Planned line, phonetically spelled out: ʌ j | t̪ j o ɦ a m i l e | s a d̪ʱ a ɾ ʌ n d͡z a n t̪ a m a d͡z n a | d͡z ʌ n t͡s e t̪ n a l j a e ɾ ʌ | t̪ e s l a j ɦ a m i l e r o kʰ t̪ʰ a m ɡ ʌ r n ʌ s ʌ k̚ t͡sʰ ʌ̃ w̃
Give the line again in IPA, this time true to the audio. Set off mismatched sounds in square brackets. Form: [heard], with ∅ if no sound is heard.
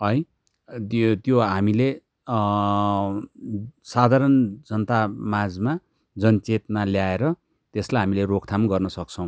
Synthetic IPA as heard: ʌ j | t̪ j o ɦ a m i l e | s a d̪ʱ a ɾ ʌ n d͡z [ʌ] n t̪ a m a d͡z [m] a | d͡z ʌ n t͡s e t̪ n a l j a e ɾ ʌ | t̪ e s l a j ɦ a m i l e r o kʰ t̪ʰ a m ɡ ʌ r n ʌ s ʌ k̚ t͡sʰ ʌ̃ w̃

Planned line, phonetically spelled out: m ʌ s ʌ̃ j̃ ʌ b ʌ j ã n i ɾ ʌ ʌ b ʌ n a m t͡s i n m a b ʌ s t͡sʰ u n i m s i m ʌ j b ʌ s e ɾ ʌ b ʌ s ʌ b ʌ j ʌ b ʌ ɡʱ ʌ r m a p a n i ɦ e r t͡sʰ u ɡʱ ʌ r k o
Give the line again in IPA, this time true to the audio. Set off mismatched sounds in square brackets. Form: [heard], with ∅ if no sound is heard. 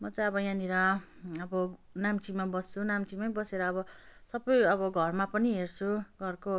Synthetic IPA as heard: m ʌ [t͡s] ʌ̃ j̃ ʌ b ʌ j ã n i ɾ ʌ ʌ b ʌ n a m t͡s i [∅] m a b ʌ s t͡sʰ u n [a] m [t͡s] i m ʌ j b ʌ s e ɾ [ʌː] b ʌ s ʌ b ʌ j ʌ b ʌ ɡʱ ʌ r m a p [ʌ] n i ɦ e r t͡sʰ u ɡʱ ʌ r k o

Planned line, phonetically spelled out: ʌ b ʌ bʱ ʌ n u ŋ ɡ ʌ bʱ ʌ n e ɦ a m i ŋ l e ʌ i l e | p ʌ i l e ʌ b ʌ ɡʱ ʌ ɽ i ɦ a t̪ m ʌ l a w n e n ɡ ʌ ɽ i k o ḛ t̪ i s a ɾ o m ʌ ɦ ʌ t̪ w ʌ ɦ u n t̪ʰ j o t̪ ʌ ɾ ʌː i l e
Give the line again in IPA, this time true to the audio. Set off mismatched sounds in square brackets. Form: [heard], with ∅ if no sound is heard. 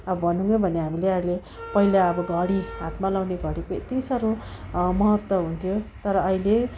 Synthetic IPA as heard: ʌ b ʌ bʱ ʌ n u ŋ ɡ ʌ bʱ ʌ n e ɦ a m i [∅] l e ʌ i l e | p ʌ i l [a] ʌ b ʌ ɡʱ ʌ ɽ i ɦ a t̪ m [a] l a w n e [∅] ɡ ʌ ɽ i k o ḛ t̪ i s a ɾ o m ʌ ɦ ʌ t̪ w ʌ ɦ u n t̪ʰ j o t̪ ʌ ɾ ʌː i l e

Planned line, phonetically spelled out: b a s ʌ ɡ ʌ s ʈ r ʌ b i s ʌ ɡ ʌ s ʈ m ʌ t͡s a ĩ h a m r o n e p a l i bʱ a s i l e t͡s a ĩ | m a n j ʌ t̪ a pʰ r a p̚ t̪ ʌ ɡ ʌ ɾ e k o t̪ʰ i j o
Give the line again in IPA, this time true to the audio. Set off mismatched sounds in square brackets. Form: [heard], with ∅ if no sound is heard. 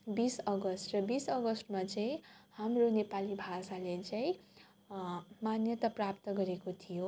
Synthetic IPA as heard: b [i] s ʌ ɡ ʌ s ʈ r ʌ b i s ʌ ɡ ʌ s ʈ m [a] t͡s a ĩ h a m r o n e p a l i bʱ a s [a] l e t͡s a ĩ | m a n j ʌ t̪ a [p] r a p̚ t̪ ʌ ɡ ʌ ɾ e k o t̪ʰ i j o

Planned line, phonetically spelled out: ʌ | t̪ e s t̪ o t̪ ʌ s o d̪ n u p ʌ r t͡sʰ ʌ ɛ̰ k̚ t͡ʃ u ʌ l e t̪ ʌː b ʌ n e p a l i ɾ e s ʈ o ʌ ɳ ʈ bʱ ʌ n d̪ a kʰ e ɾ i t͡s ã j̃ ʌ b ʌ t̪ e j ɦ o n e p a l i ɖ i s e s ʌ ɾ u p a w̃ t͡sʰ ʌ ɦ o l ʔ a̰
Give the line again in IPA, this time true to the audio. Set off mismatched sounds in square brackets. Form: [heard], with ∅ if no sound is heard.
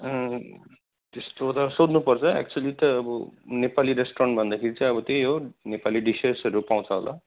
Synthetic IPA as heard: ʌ | t̪ e s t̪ o t̪ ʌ s o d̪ n u p ʌ r t͡sʰ ʌ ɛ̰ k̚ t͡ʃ u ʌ l [i] t̪ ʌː b ʌ n e p a l i ɾ e s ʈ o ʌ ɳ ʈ bʱ ʌ n d̪ a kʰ e ɾ i t͡s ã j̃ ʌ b ʌ t̪ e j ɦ o n e p a l i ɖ i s e s ʌ ɾ u p a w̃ t͡sʰ ʌ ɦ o l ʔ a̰

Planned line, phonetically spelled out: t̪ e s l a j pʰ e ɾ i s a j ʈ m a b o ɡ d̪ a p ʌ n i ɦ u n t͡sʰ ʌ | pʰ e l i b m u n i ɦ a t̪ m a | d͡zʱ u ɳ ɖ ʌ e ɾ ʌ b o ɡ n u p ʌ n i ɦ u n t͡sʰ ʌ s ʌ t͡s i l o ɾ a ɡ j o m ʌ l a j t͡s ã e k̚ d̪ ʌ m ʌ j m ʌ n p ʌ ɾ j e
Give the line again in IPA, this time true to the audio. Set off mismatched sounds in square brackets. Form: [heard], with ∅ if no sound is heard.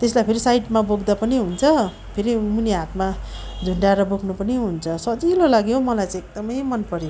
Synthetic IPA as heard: t̪ e s l a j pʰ e ɾ i s a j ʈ m a b o ɡ d̪ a p ʌ n i ɦ u n t͡sʰ ʌ | pʰ e [ɾ] i [∅] m u n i ɦ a t̪ m a | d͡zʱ u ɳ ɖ [a] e ɾ ʌ b o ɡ n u p ʌ n i ɦ u n t͡sʰ ʌ s ʌ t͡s i l o [l] a ɡ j o m ʌ l a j t͡s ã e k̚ d̪ ʌ m ʌ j m ʌ n p ʌ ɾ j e

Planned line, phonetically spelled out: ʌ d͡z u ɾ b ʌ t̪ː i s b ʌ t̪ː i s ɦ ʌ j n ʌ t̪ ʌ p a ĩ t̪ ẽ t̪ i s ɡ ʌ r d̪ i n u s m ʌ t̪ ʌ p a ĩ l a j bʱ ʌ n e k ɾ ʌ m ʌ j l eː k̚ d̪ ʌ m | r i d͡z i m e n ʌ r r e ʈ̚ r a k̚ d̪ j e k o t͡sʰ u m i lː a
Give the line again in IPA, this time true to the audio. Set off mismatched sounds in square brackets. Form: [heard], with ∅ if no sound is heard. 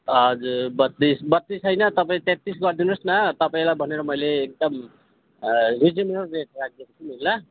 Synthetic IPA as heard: ʌ d͡z u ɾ b ʌ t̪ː i s b ʌ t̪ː i s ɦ ʌ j n ʌ t̪ ʌ p a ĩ t̪ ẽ t̪ i s ɡ ʌ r d̪ i n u s [n] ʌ t̪ ʌ p a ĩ l a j bʱ ʌ n e [∅] ɾ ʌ m ʌ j l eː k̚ d̪ ʌ m | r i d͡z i m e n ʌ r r e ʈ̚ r a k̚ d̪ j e k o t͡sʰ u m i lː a

